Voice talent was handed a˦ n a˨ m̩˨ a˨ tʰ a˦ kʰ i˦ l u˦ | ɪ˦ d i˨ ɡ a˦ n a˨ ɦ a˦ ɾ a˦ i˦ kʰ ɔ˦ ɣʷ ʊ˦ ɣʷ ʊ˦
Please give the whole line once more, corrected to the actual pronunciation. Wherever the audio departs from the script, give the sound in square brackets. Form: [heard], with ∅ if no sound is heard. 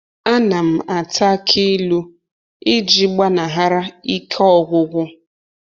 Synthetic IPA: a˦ n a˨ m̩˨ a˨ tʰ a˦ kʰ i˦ l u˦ | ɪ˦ [d͡ʒ] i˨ [ɡ͡b] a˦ n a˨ ɦ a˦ ɾ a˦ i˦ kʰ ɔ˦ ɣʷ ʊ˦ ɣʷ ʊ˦

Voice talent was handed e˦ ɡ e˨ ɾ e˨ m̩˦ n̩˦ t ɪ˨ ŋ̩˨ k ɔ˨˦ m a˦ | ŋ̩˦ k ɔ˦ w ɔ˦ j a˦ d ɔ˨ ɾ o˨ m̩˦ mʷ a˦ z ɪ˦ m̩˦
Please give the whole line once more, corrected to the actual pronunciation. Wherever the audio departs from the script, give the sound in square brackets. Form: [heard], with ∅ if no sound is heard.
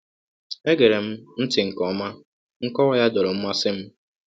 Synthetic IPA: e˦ ɡ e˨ ɾ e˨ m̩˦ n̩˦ t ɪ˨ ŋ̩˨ k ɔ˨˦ m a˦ | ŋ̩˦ k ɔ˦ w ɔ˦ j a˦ d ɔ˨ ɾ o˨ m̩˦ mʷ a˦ [s] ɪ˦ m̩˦

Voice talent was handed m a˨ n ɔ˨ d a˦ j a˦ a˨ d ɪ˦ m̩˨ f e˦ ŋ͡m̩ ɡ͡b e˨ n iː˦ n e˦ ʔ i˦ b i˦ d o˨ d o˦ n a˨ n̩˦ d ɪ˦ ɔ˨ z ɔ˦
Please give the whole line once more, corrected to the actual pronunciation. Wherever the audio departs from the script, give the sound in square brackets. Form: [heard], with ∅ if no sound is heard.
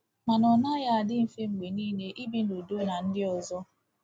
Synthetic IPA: m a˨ n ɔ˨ [n] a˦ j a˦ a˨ d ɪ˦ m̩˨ f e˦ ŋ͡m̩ ɡ͡b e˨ n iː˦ n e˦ ʔ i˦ b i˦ [n] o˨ d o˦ n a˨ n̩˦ d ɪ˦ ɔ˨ z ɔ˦

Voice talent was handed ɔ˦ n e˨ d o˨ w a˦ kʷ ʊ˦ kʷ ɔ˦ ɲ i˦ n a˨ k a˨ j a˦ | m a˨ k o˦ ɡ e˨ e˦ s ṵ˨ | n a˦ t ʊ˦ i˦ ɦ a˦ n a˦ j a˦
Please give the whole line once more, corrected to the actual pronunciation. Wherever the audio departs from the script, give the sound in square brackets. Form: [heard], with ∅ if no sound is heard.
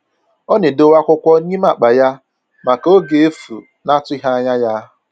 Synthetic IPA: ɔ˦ n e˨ d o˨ w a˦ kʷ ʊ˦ kʷ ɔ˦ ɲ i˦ [m] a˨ [k͡p] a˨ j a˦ | m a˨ k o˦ ɡ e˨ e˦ [f] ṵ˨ | n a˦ t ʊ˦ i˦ ɦ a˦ [ɲ] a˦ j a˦

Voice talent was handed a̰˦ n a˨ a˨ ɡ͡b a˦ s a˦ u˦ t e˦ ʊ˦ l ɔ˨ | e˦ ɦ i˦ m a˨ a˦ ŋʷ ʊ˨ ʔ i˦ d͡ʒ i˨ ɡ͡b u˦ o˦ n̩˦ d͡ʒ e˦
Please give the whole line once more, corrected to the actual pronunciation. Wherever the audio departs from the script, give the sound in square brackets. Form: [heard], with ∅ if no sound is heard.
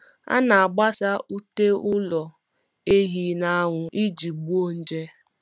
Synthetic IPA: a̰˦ n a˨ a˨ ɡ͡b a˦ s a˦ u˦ t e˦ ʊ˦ l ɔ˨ | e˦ ɦ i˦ [n] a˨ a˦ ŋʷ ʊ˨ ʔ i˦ d͡ʒ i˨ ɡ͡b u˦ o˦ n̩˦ d͡ʒ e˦

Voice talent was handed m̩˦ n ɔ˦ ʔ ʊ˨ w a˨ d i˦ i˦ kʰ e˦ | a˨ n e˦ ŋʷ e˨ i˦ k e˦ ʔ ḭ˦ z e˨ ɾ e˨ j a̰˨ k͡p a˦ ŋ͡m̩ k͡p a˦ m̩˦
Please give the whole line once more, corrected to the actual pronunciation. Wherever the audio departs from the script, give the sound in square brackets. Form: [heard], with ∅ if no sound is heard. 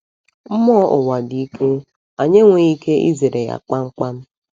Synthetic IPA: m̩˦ [m] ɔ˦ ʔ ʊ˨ w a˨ d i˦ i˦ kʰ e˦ | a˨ [ɲ] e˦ ŋʷ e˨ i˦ k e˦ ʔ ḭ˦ z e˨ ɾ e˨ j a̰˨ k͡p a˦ ŋ͡m̩ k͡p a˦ m̩˦

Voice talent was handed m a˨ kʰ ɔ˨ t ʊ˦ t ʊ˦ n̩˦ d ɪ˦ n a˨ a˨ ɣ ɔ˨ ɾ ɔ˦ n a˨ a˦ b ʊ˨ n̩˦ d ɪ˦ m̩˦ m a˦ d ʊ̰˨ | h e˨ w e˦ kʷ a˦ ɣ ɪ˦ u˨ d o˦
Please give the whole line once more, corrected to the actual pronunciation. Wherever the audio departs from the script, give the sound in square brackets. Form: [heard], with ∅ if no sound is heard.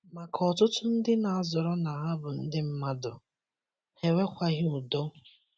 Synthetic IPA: m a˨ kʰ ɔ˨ t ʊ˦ t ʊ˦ n̩˦ d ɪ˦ n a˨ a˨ [z] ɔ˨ ɾ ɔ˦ n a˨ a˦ b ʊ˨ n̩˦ d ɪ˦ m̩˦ m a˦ d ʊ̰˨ | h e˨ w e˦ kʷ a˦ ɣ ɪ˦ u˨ d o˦

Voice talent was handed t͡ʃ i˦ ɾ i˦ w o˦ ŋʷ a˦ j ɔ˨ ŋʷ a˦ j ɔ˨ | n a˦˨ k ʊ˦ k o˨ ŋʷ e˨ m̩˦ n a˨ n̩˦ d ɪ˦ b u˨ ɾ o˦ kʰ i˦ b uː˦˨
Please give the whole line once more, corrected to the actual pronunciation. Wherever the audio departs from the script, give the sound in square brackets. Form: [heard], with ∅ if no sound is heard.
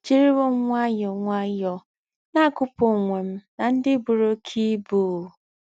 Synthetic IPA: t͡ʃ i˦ ɾ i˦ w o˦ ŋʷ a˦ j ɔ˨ ŋʷ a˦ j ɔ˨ | n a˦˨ k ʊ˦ [p] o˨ ŋʷ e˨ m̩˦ n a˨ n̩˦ d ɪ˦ b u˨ ɾ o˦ kʰ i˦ b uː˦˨

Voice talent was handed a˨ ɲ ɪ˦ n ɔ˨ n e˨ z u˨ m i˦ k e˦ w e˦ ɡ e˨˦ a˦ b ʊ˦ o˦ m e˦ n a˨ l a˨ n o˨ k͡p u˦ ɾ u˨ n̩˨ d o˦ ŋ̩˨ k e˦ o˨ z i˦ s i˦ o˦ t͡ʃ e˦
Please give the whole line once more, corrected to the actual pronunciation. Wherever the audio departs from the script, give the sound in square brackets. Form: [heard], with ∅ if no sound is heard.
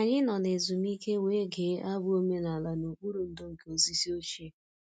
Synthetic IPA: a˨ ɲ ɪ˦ n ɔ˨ n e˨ z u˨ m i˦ k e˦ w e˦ ɡ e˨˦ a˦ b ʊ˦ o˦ m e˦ n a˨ l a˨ n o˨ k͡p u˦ ɾ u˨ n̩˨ d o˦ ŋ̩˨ k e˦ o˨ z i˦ s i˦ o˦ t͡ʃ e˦

